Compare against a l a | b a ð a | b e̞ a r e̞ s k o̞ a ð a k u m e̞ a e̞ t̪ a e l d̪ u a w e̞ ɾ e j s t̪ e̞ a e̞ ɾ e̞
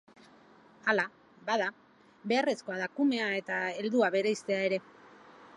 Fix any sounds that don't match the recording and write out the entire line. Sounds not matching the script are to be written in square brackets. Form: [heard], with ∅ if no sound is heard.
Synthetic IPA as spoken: a l a | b a ð a | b e̞ a r e̞ s k o̞ a ð a k u m e̞ a e̞ t̪ a e l d̪ u a [β] e̞ ɾ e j s t̪ e̞ a e̞ ɾ e̞

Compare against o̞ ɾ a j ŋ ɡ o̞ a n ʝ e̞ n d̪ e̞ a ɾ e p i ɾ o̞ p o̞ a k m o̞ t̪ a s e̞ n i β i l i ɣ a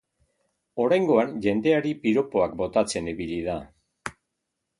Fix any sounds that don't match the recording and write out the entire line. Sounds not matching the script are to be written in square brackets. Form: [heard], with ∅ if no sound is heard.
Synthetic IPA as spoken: o̞ ɾ a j ŋ ɡ o̞ a n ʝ e̞ n d̪ e̞ a ɾ [i] p i ɾ o̞ p o̞ a k [b] o̞ t̪ a [t͡s] e̞ n i β i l i [ð] a

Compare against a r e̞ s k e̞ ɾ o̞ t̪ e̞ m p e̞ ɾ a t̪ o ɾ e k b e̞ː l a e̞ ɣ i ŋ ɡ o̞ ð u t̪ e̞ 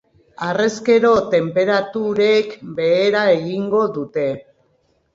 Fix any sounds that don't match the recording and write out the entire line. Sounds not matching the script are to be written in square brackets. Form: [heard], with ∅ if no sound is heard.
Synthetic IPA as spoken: a r e̞ s k e̞ ɾ o̞ t̪ e̞ m p e̞ ɾ a t̪ [u] ɾ e k b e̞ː [ɾ] a e̞ ɣ i ŋ ɡ o̞ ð u t̪ e̞

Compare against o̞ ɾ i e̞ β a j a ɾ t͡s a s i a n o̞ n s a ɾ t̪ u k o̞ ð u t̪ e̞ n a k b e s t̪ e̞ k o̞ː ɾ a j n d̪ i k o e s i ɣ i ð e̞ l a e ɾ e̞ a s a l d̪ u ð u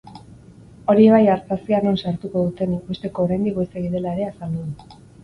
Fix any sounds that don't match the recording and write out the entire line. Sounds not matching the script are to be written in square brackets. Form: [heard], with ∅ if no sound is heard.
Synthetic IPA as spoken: o̞ ɾ i e̞ β a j a ɾ t͡s a s i a n o̞ n s a ɾ t̪ u k o̞ ð u t̪ e̞ n [i] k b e s t̪ e̞ k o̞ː ɾ a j n d̪ i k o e s [e] ɣ i ð e̞ l a e ɾ e̞ a s a l d̪ u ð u

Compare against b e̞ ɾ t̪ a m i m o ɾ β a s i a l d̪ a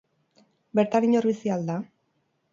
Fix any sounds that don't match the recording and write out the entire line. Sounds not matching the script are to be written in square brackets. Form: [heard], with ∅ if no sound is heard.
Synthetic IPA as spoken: b e̞ ɾ t̪ a [n] i [ɲ] o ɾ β [i] s i a l d̪ a

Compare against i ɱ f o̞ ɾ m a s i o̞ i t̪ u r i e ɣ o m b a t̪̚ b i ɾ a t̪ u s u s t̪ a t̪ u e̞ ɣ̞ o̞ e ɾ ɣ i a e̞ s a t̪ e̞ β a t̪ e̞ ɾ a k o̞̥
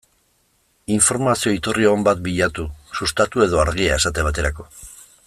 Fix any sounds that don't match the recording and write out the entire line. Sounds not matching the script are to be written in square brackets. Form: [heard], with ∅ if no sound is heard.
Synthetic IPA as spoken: i ɱ f o̞ ɾ m a s i o̞ i t̪ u r i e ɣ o m b a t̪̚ b i [ʎ] a t̪ u s u s t̪ a t̪ u e̞ [ð̞] o̞ [a] ɾ ɣ i a e̞ s a t̪ e̞ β a t̪ e̞ ɾ a k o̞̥

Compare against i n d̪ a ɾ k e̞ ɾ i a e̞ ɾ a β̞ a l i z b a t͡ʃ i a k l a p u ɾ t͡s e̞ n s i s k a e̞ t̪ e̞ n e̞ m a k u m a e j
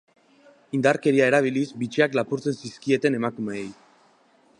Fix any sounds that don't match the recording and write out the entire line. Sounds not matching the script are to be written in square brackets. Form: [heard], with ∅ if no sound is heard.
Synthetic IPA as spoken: i n d̪ a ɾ k e̞ ɾ i a e̞ ɾ a β̞ [i] l i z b [i] t͡ʃ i a k l a p u ɾ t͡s e̞ n s i s k [i] e̞ t̪ e̞ n e̞ m a k u m [e] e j

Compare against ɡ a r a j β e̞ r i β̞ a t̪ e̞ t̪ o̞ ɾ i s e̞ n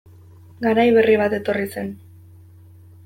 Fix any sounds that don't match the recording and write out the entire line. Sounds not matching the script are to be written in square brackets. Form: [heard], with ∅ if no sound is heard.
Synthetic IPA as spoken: ɡ a [ɾ] a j β e̞ r i β̞ a t̪ e̞ t̪ o̞ [r] i s e̞ n

